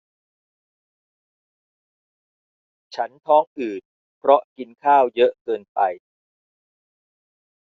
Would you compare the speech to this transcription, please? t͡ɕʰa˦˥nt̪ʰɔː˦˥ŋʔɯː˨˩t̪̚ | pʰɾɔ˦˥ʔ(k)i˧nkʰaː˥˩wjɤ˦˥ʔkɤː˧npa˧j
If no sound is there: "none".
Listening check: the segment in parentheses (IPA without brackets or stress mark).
k